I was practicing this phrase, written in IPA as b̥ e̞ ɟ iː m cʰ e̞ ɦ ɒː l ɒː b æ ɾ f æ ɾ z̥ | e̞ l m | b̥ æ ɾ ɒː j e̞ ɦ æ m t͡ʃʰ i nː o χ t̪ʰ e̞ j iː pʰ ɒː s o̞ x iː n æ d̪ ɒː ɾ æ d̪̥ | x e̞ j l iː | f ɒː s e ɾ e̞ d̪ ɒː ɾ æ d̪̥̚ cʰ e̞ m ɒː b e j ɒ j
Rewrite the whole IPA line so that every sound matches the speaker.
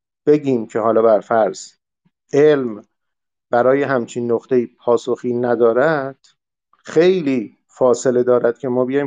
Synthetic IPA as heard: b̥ e̞ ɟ iː m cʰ e̞ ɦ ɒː l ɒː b æ ɾ f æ ɾ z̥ | e̞ l m | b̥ æ ɾ ɒː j e̞ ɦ æ m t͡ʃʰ i nː o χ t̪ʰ e̞ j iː pʰ ɒː s o̞ x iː n æ d̪ ɒː ɾ æ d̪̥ | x e̞ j l iː | f ɒː s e l e̞ d̪ ɒː ɾ æ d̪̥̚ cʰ e̞ m ɒː b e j ɒ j